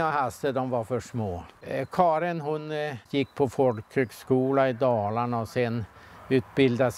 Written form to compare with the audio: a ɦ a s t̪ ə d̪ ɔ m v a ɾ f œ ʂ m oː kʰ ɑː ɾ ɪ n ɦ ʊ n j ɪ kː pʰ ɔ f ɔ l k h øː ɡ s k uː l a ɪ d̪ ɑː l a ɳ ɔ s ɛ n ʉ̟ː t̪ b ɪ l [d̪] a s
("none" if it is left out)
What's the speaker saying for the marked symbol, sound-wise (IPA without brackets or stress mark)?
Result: d̪